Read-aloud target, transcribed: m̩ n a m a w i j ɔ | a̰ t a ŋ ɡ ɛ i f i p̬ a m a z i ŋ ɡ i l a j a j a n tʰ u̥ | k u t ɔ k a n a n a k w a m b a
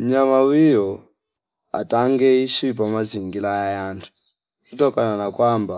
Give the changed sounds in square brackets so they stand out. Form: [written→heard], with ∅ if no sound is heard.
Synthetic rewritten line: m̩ [n→ɲ] a m a w i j ɔ | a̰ t a ŋ ɡ ɛ i [f→ʃ] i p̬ a m a z i ŋ ɡ i l a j a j a n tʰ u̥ | k u t ɔ k a n a n a k w a m b a